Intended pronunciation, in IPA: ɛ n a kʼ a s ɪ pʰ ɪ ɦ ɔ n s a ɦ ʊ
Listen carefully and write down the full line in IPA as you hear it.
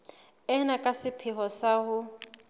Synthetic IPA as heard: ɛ n a kʼ a s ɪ pʰ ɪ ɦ ɔ s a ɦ ʊ